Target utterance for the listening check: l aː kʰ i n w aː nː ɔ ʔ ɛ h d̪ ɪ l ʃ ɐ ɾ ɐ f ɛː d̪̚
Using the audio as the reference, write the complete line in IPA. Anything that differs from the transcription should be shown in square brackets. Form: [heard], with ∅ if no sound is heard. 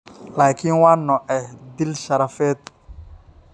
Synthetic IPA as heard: l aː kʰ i n w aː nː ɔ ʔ ɛ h d̪ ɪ l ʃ ɐ ɾ ɐ f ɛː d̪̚